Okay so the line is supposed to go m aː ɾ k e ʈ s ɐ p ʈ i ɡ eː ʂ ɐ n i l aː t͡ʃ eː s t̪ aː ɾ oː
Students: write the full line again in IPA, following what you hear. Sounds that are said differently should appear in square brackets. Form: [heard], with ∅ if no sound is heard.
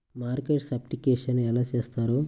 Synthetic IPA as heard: m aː ɾ k e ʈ s ɐ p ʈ i [k] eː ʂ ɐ n [ɛ] l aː t͡ʃ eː s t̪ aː ɾ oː